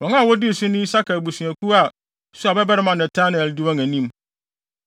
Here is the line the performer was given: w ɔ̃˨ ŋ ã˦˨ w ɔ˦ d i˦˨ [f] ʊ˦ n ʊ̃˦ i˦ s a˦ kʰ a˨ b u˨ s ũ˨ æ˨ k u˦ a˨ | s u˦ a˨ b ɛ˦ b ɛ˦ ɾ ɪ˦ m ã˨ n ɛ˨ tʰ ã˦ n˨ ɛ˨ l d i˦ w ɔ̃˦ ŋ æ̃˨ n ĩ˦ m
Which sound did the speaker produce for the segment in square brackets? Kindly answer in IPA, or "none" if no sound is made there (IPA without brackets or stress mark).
s